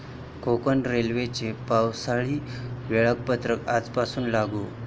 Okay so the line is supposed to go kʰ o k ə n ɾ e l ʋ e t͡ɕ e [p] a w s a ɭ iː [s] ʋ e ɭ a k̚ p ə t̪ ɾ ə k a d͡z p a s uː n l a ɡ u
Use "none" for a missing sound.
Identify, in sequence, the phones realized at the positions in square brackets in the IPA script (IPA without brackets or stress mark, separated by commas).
p, none